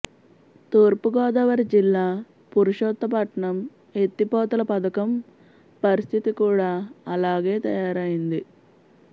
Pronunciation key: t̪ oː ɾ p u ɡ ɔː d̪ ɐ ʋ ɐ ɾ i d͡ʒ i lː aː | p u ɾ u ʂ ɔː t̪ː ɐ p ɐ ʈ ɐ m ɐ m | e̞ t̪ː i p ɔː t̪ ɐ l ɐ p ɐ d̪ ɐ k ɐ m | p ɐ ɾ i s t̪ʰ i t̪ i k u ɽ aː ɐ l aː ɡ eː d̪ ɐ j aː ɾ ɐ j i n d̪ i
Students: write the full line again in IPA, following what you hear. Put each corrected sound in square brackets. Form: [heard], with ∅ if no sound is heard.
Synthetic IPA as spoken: t̪ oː ɾ p u ɡ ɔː d̪ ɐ ʋ ɐ ɾ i d͡ʒ i lː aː | p u ɾ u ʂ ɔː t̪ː ɐ p ɐ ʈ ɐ [ɳ] ɐ m | e̞ t̪ː i p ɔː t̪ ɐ l ɐ p ɐ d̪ ɐ k ɐ m | p ɐ ɾ i s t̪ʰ i t̪ i k [uː] ɽ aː ɐ l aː ɡ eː [t̪] ɐ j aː ɾ ɐ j i n d̪ i